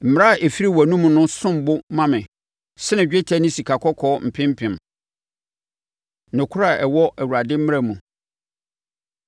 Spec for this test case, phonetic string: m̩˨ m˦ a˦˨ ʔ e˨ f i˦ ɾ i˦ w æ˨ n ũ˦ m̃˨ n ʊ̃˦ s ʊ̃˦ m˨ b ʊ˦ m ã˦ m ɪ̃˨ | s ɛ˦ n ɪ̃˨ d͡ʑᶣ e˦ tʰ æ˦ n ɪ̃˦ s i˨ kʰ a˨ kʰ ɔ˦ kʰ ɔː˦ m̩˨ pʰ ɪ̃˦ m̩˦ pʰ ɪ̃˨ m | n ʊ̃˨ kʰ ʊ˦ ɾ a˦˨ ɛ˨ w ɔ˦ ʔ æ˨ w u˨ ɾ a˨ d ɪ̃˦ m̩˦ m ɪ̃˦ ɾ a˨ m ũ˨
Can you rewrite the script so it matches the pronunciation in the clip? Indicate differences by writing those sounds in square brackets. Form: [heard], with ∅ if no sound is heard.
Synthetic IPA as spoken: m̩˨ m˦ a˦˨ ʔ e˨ f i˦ ɾ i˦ w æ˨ n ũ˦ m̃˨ n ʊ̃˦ s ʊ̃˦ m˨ b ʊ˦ m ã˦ m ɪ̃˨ | s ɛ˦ n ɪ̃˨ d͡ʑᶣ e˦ tʰ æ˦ n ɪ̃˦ s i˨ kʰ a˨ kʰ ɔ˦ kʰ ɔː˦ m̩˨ pʰ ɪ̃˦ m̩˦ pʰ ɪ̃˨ m | n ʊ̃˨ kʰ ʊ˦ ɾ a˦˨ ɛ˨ w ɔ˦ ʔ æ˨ w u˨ ɾ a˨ d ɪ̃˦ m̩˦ m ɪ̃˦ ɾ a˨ m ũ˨